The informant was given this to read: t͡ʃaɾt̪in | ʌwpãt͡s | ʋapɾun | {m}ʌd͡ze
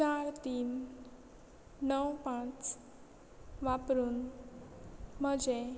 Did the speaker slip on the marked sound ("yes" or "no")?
no